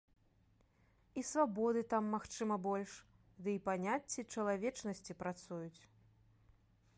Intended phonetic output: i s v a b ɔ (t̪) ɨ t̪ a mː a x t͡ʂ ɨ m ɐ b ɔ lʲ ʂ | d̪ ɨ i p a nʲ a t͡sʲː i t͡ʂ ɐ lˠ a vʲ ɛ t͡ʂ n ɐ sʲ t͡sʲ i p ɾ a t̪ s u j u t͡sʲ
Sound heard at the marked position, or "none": d̪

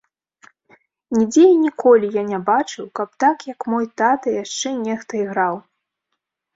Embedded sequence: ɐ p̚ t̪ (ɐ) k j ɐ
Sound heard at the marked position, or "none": a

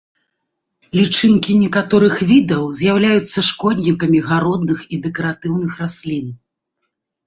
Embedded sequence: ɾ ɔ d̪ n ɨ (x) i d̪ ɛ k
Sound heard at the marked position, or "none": x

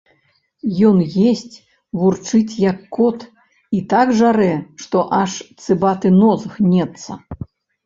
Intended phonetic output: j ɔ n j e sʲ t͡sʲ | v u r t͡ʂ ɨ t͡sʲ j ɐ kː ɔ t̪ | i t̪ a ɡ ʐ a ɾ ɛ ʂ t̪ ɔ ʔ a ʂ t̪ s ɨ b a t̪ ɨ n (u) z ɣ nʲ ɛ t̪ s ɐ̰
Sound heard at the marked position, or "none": ɔ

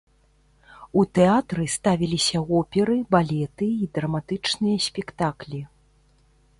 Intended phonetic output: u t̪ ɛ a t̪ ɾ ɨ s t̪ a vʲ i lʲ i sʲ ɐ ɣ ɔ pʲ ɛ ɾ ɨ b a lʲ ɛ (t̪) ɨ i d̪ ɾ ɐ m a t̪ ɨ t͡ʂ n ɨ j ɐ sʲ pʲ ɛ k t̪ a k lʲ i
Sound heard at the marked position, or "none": t̪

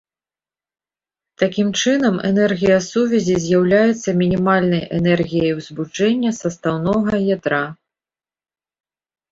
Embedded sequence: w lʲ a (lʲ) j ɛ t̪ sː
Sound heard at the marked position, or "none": none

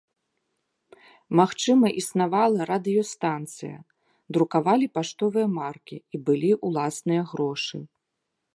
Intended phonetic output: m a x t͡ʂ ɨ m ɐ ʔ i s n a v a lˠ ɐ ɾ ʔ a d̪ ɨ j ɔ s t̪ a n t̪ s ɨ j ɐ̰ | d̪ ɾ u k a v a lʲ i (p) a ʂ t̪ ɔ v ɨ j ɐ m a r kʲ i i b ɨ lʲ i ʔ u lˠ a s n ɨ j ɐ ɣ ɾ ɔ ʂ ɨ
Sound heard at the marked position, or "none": p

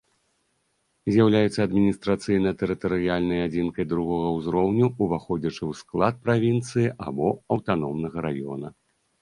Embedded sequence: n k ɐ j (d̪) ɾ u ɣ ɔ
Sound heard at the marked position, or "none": d̪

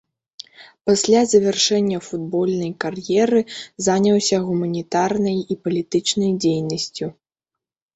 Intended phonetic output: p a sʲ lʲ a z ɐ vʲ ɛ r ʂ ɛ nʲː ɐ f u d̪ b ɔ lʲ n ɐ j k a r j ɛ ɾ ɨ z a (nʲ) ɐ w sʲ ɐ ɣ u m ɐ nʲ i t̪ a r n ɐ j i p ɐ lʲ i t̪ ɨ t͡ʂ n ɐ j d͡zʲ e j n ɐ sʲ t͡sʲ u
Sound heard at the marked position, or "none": nʲ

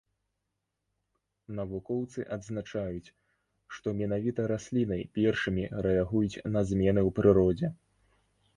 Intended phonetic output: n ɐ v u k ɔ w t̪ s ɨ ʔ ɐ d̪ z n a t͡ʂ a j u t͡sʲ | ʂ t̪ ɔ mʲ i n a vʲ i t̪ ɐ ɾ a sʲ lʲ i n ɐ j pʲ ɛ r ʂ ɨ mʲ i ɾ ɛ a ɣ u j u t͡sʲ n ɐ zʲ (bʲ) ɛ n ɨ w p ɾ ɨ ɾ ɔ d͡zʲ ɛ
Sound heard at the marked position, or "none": mʲ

